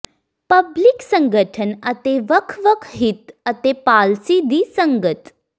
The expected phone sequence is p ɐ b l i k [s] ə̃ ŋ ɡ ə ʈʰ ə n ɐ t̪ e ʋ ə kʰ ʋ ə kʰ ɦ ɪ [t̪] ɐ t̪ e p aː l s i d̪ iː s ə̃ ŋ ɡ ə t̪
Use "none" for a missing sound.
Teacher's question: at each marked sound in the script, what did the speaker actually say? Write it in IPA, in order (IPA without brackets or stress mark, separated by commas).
s, t̪